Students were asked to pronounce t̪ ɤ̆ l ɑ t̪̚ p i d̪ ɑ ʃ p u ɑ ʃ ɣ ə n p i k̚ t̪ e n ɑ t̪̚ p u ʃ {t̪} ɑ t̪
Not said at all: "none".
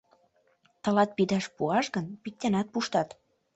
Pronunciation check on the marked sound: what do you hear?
t̪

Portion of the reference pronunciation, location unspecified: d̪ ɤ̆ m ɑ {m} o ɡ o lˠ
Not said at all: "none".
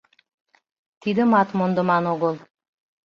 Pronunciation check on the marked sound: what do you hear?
n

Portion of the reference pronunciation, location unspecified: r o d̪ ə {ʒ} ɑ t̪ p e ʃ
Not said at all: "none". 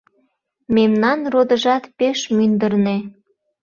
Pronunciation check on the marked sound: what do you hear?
ʒ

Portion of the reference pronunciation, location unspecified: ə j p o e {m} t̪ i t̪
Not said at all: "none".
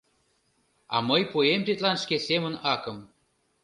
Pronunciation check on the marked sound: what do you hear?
m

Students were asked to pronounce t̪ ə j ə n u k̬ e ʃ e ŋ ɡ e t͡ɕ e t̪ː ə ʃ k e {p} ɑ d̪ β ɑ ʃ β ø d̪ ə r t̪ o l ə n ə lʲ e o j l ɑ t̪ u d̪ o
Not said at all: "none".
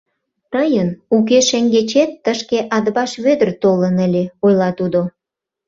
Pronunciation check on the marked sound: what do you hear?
ʔ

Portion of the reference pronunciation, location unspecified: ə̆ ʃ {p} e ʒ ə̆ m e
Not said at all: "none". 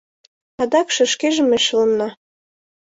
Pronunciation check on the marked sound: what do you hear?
k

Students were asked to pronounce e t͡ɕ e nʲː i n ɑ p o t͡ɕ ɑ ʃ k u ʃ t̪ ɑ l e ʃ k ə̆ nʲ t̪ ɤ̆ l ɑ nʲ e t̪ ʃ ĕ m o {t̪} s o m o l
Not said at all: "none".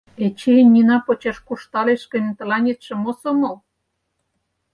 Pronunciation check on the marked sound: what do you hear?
none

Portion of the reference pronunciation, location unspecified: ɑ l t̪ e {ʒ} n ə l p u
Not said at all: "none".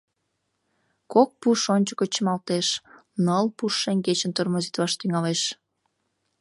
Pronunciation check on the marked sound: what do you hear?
ʃ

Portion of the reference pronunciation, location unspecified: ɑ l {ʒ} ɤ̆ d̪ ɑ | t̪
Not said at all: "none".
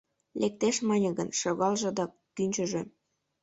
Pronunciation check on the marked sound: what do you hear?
ʒ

